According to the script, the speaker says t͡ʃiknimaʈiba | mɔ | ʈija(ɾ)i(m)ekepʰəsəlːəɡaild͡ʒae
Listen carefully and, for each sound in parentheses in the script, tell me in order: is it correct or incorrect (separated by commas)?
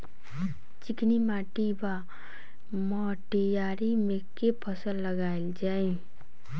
correct, correct